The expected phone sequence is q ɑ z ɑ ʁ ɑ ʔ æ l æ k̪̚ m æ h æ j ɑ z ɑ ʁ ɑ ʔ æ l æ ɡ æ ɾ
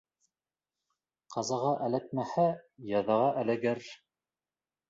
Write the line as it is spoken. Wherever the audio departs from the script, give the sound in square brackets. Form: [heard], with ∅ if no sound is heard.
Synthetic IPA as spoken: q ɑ z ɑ ʁ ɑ ʔ æ l æ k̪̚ m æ h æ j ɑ [ð] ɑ ʁ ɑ ʔ æ l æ ɡ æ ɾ